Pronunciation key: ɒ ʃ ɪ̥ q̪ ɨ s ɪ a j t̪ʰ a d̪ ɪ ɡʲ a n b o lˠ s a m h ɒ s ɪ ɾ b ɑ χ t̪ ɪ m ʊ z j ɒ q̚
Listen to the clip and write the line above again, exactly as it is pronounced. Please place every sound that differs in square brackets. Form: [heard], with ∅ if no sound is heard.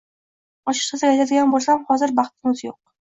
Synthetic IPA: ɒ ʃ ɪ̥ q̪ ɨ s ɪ a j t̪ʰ a d̪ ɪ ɡʲ a n b o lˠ s a m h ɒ [z] ɪ ɾ b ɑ χ t̪ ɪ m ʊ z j [o] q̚